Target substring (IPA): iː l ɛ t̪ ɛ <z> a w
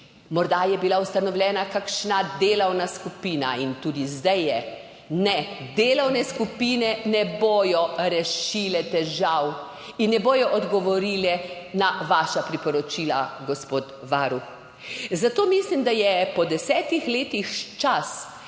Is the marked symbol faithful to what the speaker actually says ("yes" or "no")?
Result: no